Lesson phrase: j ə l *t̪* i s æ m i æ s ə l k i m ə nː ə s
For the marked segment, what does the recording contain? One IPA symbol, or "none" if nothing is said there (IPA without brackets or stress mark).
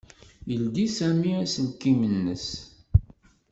d̪